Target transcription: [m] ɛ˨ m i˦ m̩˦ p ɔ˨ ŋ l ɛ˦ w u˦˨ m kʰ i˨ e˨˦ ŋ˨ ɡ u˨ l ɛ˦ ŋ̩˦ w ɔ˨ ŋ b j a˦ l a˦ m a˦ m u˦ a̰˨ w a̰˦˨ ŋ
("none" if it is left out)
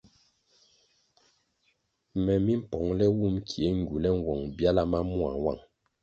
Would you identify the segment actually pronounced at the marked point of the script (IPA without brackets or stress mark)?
m